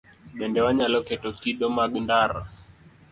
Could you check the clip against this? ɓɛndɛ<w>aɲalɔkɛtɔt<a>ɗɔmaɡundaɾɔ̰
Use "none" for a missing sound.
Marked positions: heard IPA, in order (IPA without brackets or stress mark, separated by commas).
w, i